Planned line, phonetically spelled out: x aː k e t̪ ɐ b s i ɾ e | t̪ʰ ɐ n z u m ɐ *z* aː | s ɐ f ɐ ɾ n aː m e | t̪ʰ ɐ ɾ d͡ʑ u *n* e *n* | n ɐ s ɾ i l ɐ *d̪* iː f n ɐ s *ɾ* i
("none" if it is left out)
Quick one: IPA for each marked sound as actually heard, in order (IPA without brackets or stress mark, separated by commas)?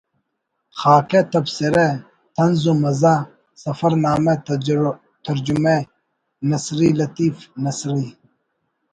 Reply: z, m, none, t̪, ɾ